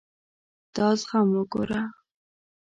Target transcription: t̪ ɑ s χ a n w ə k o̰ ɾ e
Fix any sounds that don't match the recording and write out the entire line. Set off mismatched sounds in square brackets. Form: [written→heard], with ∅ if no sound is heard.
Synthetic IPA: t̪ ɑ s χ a [n→m] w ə [k→ɡ] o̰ ɾ [e→a]